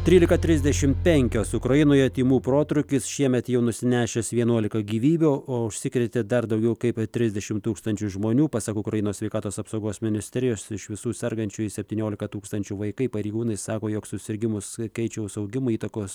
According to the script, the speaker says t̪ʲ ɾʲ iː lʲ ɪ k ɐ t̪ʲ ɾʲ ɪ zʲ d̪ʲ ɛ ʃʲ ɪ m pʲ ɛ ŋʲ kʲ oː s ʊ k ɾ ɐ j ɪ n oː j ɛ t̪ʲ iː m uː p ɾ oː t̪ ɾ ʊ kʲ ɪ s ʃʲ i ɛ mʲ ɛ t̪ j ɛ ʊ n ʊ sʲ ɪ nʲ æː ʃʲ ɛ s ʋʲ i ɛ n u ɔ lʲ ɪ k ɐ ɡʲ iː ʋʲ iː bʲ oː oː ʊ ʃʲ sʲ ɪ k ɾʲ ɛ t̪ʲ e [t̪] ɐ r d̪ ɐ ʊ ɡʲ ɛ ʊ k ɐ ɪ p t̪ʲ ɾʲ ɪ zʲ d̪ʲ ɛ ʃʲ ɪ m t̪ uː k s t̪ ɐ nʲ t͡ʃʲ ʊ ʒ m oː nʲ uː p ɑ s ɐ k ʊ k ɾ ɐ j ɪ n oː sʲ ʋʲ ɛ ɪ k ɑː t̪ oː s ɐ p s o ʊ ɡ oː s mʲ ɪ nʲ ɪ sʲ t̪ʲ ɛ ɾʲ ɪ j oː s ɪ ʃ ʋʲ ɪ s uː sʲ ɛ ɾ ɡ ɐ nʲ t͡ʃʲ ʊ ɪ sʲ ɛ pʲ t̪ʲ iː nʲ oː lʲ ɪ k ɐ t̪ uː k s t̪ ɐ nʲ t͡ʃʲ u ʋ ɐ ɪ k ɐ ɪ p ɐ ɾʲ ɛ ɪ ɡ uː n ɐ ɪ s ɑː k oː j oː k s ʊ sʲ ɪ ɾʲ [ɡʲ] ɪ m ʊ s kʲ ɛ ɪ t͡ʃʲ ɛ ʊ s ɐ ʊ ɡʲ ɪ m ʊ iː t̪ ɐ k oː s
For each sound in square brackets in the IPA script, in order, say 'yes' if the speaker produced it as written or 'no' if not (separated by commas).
no, yes